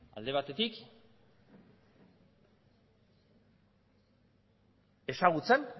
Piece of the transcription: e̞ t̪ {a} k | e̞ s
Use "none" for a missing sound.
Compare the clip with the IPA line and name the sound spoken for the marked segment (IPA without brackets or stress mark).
i